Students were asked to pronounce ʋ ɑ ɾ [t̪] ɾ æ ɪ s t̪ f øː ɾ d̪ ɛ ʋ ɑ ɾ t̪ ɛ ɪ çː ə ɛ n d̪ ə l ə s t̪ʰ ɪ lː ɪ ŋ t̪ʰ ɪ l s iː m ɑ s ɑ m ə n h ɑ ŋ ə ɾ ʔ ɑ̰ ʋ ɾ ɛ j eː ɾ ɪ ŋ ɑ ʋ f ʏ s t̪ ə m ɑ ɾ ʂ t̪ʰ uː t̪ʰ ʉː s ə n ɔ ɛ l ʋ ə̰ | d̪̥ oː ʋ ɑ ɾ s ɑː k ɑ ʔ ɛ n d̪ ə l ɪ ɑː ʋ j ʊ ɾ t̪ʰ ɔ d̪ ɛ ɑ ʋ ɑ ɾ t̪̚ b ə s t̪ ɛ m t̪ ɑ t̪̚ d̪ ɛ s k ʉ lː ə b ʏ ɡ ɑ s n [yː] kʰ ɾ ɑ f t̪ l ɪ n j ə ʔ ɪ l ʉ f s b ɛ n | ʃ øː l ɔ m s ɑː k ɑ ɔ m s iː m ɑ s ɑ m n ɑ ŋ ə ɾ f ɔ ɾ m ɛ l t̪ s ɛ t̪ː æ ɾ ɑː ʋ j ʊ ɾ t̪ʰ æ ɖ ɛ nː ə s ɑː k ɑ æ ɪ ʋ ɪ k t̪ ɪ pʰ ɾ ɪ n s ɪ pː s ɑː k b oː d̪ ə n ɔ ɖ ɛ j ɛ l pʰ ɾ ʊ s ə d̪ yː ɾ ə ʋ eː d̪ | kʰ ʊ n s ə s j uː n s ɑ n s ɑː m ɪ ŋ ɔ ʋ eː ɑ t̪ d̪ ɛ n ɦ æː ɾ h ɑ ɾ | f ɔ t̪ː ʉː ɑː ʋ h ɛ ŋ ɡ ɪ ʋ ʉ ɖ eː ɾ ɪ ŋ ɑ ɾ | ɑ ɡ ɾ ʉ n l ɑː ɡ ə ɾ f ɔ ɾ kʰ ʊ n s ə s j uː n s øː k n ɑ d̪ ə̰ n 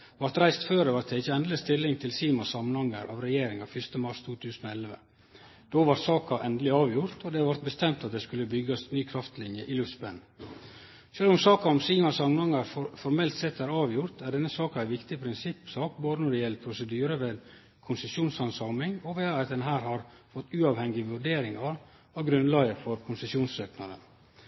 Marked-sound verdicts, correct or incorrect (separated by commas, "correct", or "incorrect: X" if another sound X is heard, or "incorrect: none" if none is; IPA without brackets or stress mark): correct, correct